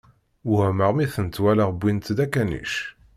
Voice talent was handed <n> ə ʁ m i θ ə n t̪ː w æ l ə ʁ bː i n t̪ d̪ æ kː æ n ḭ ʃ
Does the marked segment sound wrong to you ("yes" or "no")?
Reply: yes